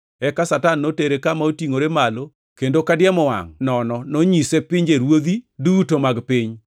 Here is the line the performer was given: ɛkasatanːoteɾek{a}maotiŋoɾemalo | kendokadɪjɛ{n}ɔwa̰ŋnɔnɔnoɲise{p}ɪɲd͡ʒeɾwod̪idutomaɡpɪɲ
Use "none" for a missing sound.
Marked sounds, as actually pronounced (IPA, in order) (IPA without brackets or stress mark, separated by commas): a, m, p